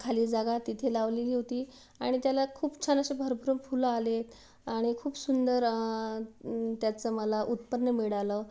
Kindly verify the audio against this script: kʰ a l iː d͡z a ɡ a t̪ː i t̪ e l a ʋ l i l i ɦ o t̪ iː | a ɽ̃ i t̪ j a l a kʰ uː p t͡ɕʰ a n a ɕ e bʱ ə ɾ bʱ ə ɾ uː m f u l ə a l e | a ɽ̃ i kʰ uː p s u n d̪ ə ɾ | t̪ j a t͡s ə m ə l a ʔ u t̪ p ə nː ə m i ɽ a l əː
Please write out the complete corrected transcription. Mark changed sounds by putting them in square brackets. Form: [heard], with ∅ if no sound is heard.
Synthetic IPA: kʰ a l iː d͡z a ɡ a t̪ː i [t̪ʰ] e l a ʋ l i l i ɦ o t̪ iː | a ɽ̃ i t̪ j a l a kʰ uː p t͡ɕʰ a n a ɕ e bʱ ə ɾ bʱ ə ɾ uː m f u l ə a l e | a ɽ̃ i kʰ uː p s u n d̪ ə ɾ | t̪ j a t͡s ə m ə l a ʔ u t̪ p ə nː ə m i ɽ a l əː

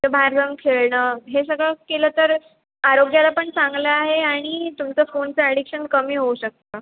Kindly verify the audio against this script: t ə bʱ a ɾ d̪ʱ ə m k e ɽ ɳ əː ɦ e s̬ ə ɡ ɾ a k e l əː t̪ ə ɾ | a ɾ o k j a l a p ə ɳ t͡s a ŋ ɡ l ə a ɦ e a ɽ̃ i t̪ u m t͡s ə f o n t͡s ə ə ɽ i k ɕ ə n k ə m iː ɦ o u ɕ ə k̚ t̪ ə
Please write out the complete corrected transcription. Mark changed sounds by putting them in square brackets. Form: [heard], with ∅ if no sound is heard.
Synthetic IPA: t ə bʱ a ɾ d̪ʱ ə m [kʰ] e [ɭ] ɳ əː ɦ e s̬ ə ɡ [ɭ] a k e l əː t̪ ə ɾ | a ɾ o [ɡ] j a l a p ə ɳ t͡s a ŋ ɡ l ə a ɦ e a ɽ̃ i t̪ u m t͡s ə f o n t͡s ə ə ɽ i k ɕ ə n k ə m iː ɦ o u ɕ ə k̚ t̪ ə

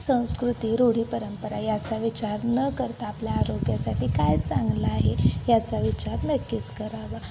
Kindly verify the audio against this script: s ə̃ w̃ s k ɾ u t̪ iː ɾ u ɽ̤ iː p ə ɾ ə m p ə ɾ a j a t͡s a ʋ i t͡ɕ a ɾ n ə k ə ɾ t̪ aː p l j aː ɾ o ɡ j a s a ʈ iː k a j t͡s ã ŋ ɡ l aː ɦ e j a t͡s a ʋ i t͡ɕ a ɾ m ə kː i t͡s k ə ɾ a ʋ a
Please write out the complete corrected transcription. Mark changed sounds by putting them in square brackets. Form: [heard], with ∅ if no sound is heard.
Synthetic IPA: s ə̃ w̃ s k ɾ u t̪ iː ɾ [o] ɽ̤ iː p ə ɾ ə m p ə ɾ a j a t͡s a ʋ i t͡ɕ a ɾ n ə k ə ɾ t̪ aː p l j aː ɾ o ɡ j a s a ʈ iː k a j t͡s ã ŋ ɡ l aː ɦ e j a t͡s a ʋ i t͡ɕ a ɾ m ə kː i t͡s k ə ɾ a ʋ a

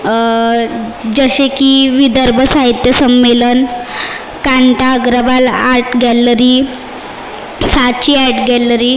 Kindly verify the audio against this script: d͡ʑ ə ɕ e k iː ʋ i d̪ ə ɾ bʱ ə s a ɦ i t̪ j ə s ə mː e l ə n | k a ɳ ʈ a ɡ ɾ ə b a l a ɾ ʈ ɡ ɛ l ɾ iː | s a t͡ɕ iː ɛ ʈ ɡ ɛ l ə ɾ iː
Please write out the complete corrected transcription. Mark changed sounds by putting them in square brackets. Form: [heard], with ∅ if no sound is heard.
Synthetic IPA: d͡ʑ ə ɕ e k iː ʋ i d̪ ə ɾ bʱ ə s a ɦ i t̪ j ə s ə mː e l ə n | k a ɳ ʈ a ɡ ɾ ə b a l a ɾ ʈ ɡ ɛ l ɾ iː | s a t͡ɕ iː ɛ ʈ ɡ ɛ l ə ɾ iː

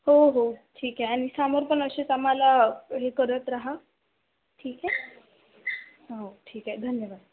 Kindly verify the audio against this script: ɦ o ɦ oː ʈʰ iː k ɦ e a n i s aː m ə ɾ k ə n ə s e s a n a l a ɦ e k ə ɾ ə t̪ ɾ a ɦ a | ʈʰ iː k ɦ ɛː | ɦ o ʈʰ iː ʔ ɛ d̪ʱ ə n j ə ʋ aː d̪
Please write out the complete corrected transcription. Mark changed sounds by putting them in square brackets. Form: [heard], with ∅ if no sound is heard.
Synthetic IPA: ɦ o ɦ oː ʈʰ iː k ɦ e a n i s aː m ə ɾ [p] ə n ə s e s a [m] a l a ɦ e k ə ɾ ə t̪ ɾ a ɦ a | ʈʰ iː k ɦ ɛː | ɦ o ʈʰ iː [k] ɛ d̪ʱ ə n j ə ʋ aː d̪

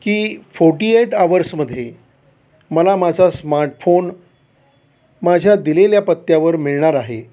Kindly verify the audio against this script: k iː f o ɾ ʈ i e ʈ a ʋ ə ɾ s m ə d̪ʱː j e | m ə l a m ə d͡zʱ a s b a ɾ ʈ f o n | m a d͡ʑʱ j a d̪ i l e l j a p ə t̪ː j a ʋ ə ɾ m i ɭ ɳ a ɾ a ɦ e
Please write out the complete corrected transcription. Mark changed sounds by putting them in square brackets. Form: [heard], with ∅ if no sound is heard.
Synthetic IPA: k iː f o ɾ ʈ i e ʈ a ʋ ə ɾ s m ə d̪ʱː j e | m ə l a m [a] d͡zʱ a s [m] a ɾ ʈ f o n | m a d͡ʑʱ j a d̪ i l e l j a p ə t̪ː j a ʋ ə ɾ m i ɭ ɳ a ɾ a ɦ e

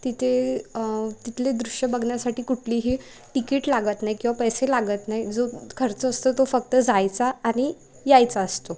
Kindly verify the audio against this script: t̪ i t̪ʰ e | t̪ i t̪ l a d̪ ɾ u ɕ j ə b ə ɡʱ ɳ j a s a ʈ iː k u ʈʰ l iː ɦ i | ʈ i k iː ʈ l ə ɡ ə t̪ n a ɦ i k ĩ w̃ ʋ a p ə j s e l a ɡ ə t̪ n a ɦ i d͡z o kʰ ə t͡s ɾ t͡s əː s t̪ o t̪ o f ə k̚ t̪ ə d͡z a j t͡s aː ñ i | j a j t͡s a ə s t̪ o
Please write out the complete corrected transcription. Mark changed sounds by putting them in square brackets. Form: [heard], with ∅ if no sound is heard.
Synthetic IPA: t̪ i t̪ʰ e | t̪ i t̪ l [e] d̪ ɾ u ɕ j ə b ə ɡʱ ɳ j a s a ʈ iː k u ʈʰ l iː ɦ i | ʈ i k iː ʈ l [a] ɡ ə t̪ n a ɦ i k ĩ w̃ ʋ a p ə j s e l a ɡ ə t̪ n a ɦ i d͡z o kʰ ə [∅] ɾ t͡s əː s t̪ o t̪ o f ə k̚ t̪ ə d͡z a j t͡s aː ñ i | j a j t͡s a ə s t̪ o

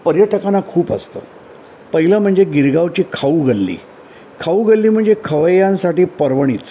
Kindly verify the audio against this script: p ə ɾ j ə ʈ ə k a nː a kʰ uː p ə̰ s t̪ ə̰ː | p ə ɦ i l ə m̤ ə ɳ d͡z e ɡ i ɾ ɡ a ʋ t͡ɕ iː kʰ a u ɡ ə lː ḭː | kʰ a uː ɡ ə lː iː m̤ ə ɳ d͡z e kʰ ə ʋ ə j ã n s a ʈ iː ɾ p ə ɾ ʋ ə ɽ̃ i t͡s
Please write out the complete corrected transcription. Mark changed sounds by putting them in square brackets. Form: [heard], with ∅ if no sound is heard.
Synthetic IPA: p ə ɾ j ə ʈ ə k a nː a kʰ uː p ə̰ s t̪ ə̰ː | p ə ɦ i l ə m̤ ə ɳ d͡z e ɡ i ɾ ɡ a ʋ t͡ɕ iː kʰ a u ɡ ə lː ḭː | kʰ a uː ɡ ə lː iː m̤ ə ɳ d͡z e kʰ ə ʋ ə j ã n s a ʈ iː [∅] p ə ɾ ʋ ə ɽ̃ i t͡s

